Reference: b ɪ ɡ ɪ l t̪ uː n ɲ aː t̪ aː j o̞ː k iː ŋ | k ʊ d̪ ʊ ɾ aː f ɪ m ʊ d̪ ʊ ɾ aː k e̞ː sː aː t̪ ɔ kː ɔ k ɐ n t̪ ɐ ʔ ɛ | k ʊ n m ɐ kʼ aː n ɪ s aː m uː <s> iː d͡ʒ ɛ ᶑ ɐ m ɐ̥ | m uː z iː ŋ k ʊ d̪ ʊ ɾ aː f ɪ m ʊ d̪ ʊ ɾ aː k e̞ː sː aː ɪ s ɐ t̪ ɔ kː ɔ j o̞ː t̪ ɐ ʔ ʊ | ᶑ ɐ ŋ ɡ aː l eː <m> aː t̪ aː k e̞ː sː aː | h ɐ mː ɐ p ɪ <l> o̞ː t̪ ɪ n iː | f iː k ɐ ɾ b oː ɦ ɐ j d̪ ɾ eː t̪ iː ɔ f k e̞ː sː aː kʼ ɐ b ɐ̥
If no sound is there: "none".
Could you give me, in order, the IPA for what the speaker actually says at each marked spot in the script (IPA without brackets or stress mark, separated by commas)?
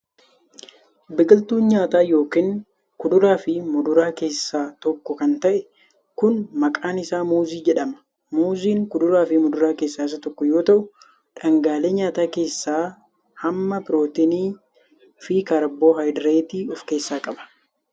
z, ɲ, ɾ